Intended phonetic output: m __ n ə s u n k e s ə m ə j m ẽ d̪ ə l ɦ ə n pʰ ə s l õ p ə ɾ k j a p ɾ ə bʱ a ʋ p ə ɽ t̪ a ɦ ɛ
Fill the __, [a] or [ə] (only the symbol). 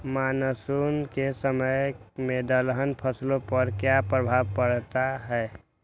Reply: a